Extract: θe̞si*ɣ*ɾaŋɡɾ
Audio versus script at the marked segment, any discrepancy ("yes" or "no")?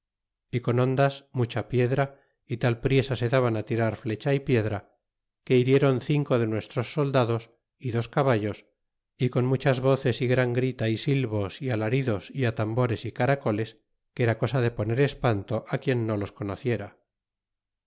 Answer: no